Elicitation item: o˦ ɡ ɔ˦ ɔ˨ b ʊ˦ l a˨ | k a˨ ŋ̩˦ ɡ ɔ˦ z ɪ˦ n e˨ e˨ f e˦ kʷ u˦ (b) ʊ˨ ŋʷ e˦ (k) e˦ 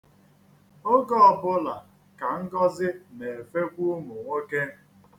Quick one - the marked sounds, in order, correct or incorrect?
incorrect: m, correct

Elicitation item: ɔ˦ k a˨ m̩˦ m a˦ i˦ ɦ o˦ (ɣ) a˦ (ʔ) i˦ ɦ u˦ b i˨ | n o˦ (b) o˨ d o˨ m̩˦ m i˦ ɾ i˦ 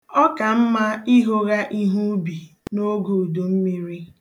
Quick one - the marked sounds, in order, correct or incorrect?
correct, correct, incorrect: ɡ

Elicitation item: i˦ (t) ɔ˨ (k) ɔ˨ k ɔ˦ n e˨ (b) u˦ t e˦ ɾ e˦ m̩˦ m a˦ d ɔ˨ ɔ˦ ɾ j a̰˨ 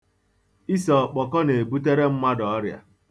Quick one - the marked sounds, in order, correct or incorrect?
incorrect: s, incorrect: k͡p, correct

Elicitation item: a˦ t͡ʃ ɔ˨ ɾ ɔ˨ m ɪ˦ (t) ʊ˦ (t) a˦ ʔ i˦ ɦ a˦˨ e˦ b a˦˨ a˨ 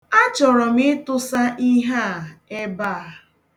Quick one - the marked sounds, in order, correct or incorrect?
correct, incorrect: s

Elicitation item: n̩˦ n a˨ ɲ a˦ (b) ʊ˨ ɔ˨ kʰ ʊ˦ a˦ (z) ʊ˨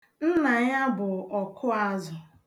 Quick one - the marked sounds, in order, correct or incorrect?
correct, correct

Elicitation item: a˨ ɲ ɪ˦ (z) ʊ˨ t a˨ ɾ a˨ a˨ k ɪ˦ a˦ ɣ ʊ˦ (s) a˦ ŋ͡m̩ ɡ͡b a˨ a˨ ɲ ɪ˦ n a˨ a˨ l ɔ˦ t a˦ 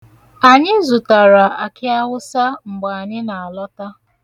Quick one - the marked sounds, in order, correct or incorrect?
correct, correct

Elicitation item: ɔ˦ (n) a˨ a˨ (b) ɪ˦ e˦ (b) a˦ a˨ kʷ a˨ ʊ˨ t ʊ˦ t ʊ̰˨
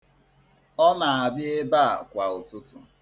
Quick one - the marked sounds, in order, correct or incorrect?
correct, correct, correct

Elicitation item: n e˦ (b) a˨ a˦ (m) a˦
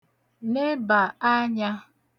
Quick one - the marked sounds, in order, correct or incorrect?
correct, incorrect: ɲ

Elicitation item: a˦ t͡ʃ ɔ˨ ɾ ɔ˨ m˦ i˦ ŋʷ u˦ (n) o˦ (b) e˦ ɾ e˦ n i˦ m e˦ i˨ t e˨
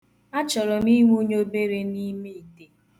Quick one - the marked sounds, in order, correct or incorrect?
incorrect: ɲ, correct

